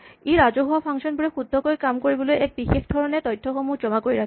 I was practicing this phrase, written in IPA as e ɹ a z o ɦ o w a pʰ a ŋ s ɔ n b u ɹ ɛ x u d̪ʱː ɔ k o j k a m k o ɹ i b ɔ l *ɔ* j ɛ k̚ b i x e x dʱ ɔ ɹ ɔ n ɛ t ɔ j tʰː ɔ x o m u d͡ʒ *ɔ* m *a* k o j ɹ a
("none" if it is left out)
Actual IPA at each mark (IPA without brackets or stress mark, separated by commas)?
o, ɔ, a